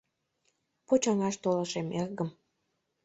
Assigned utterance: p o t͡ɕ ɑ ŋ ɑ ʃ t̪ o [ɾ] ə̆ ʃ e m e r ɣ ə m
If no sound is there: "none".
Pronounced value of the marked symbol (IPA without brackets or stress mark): l